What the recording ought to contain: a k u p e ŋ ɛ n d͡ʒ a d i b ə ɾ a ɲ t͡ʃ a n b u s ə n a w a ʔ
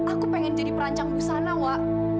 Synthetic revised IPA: a k u p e ŋ ɛ n d͡ʒ a d i p ə ɾ a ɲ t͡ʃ a ŋ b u s a n a w a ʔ